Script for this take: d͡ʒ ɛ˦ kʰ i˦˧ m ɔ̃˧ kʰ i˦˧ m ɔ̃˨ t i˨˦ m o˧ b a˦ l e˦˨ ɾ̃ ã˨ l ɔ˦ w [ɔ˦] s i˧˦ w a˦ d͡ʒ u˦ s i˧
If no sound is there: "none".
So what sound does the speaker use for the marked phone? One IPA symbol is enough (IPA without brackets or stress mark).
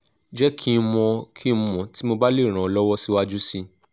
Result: ɔ˦